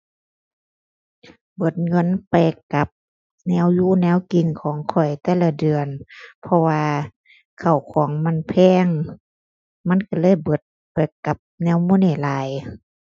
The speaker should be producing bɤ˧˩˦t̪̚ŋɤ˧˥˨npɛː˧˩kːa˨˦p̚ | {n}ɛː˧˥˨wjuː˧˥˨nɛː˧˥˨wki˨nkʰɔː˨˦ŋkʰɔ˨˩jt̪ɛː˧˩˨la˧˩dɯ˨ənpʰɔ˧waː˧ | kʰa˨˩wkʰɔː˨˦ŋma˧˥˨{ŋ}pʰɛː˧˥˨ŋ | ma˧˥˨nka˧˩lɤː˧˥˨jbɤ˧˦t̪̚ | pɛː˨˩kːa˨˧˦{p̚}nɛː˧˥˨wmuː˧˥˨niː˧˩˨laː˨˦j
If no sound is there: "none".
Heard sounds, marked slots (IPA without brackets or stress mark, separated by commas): n, n, p̚